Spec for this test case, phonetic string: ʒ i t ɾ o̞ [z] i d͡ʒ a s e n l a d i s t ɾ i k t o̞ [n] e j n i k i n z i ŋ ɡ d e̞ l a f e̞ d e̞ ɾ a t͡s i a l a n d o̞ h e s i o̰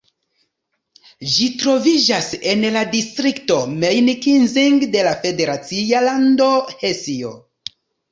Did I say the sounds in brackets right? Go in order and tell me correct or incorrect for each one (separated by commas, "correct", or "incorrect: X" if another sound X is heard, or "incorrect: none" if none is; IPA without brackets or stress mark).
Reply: incorrect: v, incorrect: m